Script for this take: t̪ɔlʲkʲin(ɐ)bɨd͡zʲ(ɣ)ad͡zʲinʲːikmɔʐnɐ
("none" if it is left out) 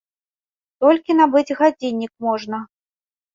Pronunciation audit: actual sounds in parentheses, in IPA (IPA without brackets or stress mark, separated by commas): a, ɣ